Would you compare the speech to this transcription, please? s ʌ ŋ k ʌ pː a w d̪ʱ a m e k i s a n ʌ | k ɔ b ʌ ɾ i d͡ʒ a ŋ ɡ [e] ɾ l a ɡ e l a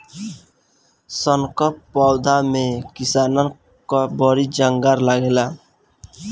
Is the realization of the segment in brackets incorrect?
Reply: yes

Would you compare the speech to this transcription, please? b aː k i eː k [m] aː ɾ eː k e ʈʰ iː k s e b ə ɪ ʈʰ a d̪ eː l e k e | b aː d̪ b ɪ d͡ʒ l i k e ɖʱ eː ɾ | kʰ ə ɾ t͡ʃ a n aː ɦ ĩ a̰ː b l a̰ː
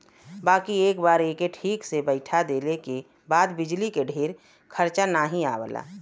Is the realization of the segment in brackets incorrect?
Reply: yes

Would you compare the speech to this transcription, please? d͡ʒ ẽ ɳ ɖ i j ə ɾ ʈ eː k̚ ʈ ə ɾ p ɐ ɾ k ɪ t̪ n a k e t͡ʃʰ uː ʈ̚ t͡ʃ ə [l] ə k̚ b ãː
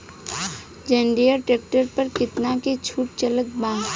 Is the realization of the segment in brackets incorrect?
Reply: no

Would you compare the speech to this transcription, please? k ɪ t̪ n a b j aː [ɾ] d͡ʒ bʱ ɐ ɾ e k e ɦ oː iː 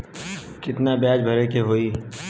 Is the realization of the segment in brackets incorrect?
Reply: yes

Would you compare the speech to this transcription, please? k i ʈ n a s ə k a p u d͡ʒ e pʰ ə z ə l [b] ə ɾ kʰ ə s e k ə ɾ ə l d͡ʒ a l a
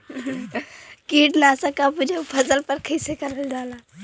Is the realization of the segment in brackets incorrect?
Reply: yes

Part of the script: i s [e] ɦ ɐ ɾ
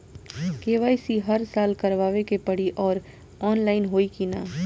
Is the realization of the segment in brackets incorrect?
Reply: yes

